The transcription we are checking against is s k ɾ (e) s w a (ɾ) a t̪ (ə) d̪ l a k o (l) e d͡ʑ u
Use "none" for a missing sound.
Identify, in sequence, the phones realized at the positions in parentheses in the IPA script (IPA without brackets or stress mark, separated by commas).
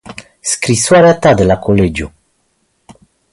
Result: i, ɾ, a, l